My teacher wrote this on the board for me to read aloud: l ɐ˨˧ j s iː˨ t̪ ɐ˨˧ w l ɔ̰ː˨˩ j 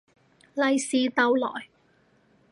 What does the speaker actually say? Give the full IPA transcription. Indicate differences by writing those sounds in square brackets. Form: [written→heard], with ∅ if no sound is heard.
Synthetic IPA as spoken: l ɐ˨˧ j s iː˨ t̪ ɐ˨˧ w l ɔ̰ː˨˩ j